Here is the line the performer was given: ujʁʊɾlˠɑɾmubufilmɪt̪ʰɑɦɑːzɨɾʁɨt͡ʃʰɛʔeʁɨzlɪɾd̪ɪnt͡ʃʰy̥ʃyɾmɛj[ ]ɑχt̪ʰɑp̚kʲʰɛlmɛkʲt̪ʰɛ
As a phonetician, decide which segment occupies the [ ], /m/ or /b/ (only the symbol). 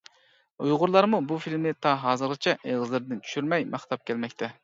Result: m